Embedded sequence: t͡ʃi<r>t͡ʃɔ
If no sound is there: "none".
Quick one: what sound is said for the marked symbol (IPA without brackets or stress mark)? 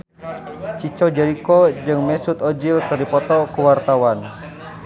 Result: none